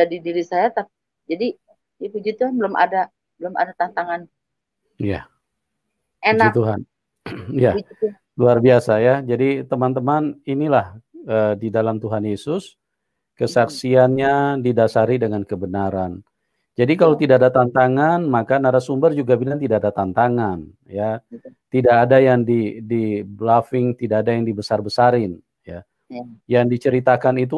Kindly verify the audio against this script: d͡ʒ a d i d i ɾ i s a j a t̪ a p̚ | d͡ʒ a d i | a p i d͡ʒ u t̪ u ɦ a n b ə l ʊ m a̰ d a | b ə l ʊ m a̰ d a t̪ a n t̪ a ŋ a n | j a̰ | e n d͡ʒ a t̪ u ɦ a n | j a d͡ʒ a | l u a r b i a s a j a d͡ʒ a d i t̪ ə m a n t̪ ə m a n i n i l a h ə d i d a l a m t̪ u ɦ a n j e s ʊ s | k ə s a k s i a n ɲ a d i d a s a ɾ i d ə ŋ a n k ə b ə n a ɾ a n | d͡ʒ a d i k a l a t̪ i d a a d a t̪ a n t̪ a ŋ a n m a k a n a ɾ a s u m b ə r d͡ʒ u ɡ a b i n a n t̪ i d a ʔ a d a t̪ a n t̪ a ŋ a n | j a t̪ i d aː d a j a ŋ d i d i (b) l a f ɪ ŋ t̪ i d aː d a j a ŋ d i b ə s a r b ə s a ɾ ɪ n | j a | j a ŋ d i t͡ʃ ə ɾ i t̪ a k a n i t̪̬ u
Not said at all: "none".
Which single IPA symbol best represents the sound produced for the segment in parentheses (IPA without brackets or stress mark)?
b